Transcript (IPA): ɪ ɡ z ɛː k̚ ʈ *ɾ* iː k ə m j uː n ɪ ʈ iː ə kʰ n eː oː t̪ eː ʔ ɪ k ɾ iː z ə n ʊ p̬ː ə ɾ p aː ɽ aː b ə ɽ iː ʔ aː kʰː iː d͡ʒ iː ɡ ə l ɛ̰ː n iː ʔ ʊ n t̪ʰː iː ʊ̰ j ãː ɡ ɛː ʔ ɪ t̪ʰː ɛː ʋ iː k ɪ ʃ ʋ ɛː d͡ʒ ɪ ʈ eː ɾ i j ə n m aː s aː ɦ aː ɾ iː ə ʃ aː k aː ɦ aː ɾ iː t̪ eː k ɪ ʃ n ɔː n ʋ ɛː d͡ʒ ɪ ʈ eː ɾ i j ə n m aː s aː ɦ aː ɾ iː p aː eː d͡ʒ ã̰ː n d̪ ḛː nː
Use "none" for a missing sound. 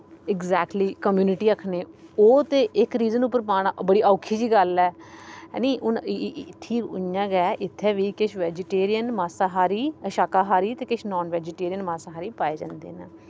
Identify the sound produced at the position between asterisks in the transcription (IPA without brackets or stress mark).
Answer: l